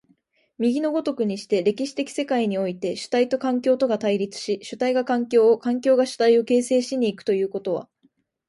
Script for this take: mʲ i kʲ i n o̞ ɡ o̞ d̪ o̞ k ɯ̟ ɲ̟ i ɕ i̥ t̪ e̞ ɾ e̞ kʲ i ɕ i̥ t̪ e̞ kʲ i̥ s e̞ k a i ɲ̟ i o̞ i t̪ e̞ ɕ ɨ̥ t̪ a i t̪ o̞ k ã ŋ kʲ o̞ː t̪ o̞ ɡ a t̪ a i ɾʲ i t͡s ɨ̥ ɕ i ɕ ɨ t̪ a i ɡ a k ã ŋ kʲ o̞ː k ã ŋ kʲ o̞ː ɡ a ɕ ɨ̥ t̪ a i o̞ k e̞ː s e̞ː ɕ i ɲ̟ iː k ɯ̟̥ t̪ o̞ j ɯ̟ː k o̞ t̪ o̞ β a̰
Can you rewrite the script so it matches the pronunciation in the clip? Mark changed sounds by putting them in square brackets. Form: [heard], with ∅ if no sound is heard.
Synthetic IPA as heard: mʲ i [ɡʲ] i n o̞ ɡ o̞ [t̪] o̞ k ɯ̟ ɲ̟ i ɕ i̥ t̪ e̞ ɾ e̞ kʲ i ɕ i̥ t̪ e̞ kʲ i̥ s e̞ k a i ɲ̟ i o̞ i t̪ e̞ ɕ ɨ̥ t̪ a i t̪ o̞ k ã ŋ kʲ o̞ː t̪ o̞ ɡ a t̪ a i ɾʲ i t͡s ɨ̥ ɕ i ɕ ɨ t̪ a i ɡ a k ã ŋ kʲ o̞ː k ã ŋ kʲ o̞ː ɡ a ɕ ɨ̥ t̪ a i o̞ k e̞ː s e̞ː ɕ i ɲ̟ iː k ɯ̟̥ t̪ o̞ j ɯ̟ː k o̞ t̪ o̞ β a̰